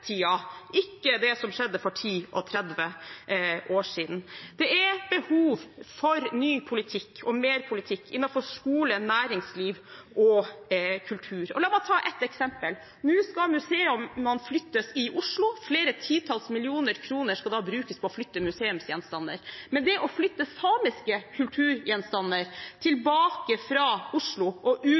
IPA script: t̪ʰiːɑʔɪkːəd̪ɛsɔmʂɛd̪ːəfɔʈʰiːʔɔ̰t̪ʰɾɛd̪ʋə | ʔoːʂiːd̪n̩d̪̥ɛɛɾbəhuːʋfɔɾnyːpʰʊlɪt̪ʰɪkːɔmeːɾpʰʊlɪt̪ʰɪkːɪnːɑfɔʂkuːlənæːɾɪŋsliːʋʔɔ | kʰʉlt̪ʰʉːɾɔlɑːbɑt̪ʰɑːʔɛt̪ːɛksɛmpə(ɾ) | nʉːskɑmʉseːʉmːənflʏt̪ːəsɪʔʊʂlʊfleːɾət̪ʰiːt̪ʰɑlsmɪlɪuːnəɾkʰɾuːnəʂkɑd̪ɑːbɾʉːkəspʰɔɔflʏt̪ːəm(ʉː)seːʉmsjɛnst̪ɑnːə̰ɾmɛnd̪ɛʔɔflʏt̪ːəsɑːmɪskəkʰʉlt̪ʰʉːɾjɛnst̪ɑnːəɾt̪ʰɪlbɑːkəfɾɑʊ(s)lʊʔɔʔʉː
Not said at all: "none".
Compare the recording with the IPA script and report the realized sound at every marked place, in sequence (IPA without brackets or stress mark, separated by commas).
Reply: l, ʉ, ʂ